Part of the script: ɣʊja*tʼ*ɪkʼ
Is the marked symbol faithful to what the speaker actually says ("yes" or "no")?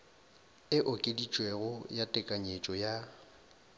yes